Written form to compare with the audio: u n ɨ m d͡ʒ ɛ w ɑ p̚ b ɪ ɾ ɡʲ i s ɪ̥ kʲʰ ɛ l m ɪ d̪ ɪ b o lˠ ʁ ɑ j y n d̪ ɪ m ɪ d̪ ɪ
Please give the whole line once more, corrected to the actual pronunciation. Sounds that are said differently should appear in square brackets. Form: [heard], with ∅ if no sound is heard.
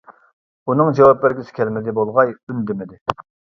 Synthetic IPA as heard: u n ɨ [ŋ] d͡ʒ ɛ w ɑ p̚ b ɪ ɾ ɡʲ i s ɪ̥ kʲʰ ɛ l m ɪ d̪ ɪ b o lˠ ʁ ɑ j y n d̪ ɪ m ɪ d̪ ɪ